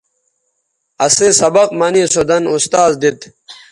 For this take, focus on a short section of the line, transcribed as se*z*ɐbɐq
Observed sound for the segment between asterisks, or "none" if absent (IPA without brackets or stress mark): s